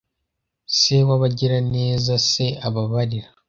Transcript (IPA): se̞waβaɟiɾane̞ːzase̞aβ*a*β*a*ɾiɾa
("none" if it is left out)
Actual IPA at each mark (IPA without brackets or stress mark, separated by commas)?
a, a